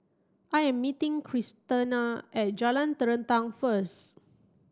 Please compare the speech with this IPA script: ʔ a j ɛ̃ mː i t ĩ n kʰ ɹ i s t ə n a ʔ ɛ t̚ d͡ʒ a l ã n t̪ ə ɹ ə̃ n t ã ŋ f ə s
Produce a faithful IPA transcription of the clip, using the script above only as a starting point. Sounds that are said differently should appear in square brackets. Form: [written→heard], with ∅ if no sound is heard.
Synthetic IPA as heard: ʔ a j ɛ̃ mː i t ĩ [n→ŋ] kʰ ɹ i s t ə n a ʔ ɛ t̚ d͡ʒ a l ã n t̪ ə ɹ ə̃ n t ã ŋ f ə s